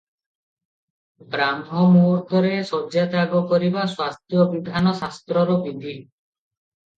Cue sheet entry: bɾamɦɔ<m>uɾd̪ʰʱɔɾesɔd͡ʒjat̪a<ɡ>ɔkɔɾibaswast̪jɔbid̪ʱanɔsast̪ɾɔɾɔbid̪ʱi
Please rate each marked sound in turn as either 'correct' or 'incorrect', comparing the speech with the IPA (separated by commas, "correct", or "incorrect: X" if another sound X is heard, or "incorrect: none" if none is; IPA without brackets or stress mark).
correct, correct